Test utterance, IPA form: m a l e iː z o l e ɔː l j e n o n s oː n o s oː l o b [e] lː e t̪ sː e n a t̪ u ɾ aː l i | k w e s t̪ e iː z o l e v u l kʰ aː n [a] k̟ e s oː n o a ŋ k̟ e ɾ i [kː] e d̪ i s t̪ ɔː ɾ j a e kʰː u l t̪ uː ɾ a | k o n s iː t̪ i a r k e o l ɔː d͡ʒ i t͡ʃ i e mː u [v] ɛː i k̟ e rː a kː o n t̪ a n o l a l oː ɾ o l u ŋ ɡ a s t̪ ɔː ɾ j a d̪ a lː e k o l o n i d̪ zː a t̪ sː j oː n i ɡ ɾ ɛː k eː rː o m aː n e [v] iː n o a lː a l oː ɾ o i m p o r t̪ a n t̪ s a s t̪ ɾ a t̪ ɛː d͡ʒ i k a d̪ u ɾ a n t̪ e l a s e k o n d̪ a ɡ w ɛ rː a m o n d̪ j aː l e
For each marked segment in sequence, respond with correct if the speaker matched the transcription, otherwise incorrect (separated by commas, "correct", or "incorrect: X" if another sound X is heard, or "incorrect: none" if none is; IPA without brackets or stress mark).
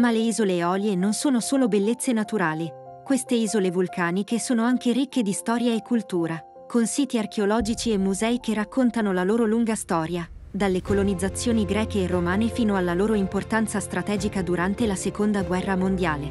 correct, incorrect: i, correct, incorrect: z, incorrect: f